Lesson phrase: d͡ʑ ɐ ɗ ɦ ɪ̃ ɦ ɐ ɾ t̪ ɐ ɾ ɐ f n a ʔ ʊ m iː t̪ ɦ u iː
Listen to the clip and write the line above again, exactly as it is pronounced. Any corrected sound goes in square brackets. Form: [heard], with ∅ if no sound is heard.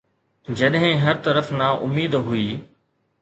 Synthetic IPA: d͡ʑ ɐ ɗ ɦ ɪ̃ ɦ ɐ ɾ t̪ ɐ ɾ [ə] f n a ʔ ʊ m iː [d̪] ɦ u iː